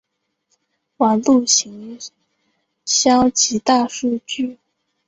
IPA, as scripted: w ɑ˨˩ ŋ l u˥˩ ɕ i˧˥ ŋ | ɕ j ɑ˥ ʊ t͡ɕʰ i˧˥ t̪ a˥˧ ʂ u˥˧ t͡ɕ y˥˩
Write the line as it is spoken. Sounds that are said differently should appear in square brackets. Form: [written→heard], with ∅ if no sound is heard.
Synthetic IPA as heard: w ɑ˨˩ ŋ l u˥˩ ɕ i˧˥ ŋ | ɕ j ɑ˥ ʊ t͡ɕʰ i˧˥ t̪ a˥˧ ʂ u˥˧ t͡ɕ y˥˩